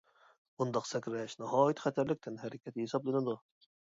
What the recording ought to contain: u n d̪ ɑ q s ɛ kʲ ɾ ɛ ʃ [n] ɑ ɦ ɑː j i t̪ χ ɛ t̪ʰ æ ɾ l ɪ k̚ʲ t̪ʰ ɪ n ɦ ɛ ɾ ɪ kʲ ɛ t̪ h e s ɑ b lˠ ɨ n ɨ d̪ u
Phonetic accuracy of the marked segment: correct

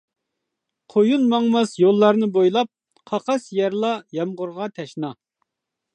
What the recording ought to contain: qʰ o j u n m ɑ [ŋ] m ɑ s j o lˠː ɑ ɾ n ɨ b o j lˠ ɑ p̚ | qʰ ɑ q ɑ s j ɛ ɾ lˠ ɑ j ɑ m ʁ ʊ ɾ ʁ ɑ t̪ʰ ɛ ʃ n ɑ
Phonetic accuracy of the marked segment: correct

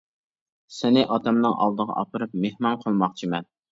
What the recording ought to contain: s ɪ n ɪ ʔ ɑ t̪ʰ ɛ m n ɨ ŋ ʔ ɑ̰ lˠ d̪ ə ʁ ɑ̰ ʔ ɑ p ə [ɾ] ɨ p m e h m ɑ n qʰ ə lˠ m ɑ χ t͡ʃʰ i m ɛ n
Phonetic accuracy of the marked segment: correct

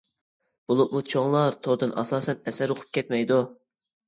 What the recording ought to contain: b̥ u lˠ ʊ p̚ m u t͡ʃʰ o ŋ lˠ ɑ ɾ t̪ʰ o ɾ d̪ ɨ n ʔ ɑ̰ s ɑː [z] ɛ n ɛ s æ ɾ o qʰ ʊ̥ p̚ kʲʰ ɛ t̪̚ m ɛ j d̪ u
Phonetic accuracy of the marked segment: incorrect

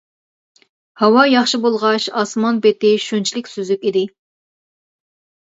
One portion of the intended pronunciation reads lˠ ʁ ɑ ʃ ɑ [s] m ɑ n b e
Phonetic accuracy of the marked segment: correct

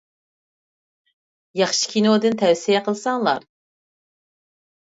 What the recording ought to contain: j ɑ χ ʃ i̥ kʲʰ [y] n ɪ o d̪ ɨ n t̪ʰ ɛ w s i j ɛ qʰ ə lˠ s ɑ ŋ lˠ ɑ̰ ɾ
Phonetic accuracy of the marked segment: incorrect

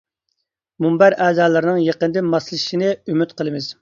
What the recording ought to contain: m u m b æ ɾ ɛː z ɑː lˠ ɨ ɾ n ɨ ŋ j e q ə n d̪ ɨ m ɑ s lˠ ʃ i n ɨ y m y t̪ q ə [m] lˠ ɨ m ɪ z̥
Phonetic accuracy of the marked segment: incorrect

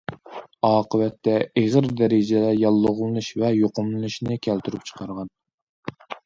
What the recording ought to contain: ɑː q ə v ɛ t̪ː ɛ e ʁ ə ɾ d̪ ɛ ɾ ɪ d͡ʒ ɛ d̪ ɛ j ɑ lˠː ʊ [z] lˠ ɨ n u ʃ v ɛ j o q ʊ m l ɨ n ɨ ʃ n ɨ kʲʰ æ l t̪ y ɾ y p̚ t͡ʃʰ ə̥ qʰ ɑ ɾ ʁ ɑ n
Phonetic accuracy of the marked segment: incorrect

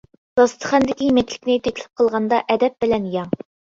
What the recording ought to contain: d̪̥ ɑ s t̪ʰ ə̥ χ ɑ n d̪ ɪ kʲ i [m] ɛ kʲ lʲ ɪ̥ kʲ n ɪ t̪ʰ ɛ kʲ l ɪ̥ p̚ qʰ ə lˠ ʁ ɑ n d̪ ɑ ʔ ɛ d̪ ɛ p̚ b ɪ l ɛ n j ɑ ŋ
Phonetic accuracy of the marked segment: correct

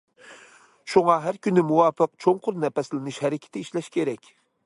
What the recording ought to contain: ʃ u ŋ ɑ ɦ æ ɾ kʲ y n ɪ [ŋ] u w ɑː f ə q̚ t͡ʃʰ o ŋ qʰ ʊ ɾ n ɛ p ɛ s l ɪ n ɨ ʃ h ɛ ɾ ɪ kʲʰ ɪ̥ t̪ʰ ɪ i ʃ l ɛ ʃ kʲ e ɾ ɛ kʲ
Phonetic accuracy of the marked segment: incorrect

